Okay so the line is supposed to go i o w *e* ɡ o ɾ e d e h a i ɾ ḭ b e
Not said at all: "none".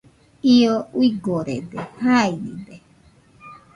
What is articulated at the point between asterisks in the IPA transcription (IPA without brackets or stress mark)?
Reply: i